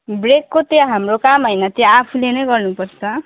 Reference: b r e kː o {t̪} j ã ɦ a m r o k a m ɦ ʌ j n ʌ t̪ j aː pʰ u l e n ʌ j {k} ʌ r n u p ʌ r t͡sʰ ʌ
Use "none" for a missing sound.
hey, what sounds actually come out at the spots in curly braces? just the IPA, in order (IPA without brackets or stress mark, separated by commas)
t̪, ɡ